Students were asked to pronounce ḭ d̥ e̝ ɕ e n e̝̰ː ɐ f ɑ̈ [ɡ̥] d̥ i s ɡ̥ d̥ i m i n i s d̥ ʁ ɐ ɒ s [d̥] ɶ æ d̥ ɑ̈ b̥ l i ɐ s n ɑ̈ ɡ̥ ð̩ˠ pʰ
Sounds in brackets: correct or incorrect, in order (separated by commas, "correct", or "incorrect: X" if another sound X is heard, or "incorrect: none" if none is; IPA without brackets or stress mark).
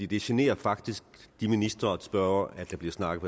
correct, incorrect: b̥